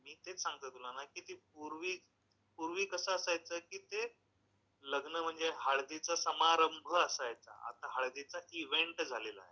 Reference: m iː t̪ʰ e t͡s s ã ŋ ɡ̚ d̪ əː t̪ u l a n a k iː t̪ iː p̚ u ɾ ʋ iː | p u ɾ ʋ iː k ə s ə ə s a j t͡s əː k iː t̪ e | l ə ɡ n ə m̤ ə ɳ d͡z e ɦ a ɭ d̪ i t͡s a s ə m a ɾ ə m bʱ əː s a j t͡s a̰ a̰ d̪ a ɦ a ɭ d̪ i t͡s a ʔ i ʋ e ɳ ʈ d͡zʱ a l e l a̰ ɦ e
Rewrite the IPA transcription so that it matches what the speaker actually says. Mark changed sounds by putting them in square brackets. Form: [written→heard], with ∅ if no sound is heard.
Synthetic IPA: m iː [t̪ʰ→t̪] e t͡s s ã ŋ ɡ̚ [d̪→t̪] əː t̪ u l a n a k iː t̪ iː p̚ u ɾ ʋ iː | p u ɾ ʋ iː k ə s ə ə s a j t͡s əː k iː t̪ e | l ə ɡ n ə m̤ ə ɳ d͡z e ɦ a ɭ d̪ i t͡s a s ə m a ɾ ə m bʱ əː s a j t͡s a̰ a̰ [d̪→t̪] a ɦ a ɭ d̪ i t͡s a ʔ i ʋ e ɳ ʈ d͡zʱ a l e l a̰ ɦ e

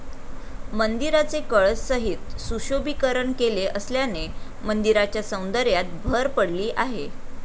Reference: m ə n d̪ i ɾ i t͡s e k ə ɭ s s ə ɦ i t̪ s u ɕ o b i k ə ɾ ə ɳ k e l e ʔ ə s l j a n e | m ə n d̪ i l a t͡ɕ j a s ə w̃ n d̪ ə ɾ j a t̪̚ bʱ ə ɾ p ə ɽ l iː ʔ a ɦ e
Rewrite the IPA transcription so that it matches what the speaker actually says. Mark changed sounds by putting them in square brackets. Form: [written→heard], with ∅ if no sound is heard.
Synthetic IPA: m ə n d̪ i ɾ [i→a] t͡s e k ə ɭ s s ə ɦ i t̪ s u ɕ o b i k ə ɾ ə ɳ k e l e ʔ ə s l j a n e | m ə n d̪ i [l→ɾ] a t͡ɕ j a s ə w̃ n d̪ ə ɾ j a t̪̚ bʱ ə ɾ p ə ɽ l iː ʔ a ɦ e

